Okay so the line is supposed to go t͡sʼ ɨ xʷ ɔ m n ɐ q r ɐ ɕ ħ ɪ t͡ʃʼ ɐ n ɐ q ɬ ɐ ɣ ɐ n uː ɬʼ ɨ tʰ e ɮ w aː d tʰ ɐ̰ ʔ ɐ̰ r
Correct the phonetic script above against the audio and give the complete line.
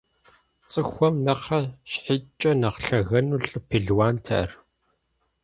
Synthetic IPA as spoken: t͡sʼ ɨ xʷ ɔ m n ɐ q r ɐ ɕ ħ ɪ t͡ʃʼ ɐ n ɐ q ɬ ɐ ɣ ɐ n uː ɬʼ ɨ pʰ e ɮ w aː n tʰ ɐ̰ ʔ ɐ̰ r